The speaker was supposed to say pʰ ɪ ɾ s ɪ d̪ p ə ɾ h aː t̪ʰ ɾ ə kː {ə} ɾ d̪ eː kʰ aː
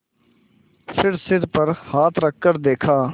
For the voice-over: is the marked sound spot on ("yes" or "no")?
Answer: yes